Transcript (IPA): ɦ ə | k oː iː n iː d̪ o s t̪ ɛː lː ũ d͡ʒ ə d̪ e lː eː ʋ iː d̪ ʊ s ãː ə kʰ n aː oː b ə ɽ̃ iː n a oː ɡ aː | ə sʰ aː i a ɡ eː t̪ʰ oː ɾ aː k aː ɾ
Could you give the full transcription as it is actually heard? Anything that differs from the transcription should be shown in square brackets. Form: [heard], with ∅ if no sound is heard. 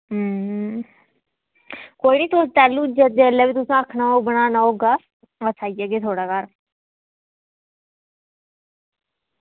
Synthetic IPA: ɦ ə | k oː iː n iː [t̪] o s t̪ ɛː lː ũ d͡ʒ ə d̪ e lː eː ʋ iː [t̪] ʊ s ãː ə kʰ n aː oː b ə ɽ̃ [aː] n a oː ɡ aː | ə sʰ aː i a ɡ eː t̪ʰ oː [ɽ] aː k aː ɾ